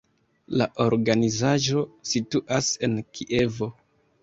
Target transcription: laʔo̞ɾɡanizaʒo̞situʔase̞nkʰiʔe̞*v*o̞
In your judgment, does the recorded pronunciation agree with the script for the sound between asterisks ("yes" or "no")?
yes